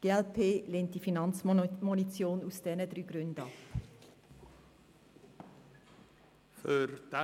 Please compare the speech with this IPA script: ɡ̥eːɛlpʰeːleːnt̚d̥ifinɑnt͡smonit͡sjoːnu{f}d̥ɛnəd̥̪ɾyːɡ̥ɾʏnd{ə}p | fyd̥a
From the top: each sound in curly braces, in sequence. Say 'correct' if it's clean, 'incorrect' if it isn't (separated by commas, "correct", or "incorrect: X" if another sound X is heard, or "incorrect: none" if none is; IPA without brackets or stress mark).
incorrect: s, incorrect: ɑ